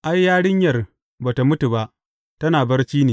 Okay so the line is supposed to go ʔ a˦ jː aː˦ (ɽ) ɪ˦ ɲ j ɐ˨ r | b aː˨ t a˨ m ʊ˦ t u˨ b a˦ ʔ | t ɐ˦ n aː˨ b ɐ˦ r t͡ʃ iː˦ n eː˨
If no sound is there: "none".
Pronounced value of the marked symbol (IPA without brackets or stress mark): ɽ